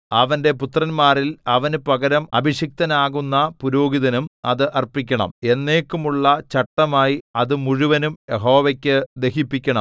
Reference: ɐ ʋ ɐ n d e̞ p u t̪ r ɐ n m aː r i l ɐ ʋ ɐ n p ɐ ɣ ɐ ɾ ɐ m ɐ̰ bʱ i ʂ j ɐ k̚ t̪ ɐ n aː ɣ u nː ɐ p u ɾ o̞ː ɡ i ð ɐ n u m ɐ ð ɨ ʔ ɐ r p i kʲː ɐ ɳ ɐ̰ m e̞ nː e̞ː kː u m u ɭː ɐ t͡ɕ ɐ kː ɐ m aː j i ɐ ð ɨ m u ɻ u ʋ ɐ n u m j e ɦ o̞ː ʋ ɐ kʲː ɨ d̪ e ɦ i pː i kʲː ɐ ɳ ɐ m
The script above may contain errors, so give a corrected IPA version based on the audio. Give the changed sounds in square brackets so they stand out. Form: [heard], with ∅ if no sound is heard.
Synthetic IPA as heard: ɐ ʋ ɐ n d e̞ p u t̪ r ɐ n m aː r i l ɐ ʋ ɐ n p ɐ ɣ ɐ ɾ ɐ m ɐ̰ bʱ i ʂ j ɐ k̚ t̪ ɐ n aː ɣ u nː ɐ p u ɾ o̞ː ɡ i ð ɐ n u m ɐ ð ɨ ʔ ɐ r p i kʲː ɐ ɳ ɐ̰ m e̞ nː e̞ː kː u m u ɭː ɐ t͡ɕ ɐ [ʈː] ɐ m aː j i ɐ ð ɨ m u ɻ u ʋ ɐ n u m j e ɦ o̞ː ʋ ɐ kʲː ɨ d̪ e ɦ i pː i kʲː ɐ ɳ ɐ m